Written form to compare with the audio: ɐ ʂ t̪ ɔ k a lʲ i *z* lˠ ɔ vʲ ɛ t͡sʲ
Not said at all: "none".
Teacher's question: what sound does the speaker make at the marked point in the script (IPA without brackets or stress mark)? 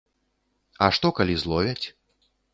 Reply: z